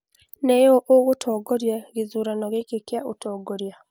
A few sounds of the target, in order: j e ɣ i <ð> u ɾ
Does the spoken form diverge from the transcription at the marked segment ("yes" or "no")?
yes